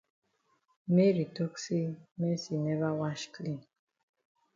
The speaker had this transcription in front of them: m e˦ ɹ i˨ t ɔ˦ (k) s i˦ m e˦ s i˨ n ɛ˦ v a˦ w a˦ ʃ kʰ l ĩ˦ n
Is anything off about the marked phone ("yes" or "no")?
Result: no